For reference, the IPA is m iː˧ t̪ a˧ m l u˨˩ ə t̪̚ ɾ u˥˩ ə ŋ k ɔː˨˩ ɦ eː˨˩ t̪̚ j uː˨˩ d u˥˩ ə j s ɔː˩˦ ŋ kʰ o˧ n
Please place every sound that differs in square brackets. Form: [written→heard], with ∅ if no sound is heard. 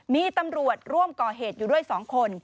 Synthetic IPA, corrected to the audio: m iː˧ t̪ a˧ m [l→ɾ] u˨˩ ə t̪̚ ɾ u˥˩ ə [ŋ→m] k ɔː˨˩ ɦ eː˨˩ t̪̚ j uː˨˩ d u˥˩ ə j s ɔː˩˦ ŋ kʰ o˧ n